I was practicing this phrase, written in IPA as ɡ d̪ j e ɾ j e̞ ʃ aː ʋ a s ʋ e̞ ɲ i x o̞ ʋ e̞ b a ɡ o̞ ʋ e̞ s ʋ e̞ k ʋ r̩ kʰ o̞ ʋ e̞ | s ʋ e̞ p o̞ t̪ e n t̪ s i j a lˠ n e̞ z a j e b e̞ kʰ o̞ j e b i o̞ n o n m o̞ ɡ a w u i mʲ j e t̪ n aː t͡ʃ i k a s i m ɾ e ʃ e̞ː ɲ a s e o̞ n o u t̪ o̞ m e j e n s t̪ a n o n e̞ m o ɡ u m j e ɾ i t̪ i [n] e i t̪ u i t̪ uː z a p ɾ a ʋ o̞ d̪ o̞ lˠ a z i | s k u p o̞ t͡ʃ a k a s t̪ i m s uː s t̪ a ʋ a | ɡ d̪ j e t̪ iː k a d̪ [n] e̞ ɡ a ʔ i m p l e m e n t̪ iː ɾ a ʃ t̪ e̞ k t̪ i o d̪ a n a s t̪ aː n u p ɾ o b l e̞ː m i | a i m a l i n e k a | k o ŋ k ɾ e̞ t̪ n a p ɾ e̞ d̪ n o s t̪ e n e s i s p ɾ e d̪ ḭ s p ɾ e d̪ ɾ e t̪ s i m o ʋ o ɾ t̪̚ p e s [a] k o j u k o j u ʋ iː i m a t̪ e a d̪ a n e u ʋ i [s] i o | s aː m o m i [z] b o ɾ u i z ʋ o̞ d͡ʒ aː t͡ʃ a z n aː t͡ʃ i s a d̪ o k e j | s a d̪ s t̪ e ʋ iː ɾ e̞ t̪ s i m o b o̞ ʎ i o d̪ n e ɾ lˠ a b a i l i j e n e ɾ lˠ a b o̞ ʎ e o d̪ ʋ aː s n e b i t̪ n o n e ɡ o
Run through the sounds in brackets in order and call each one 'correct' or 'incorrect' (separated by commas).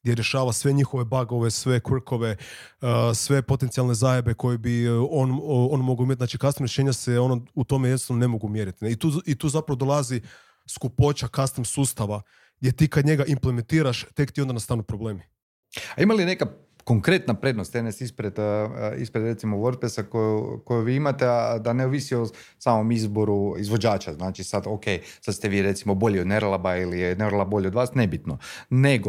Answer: correct, incorrect, correct, correct, correct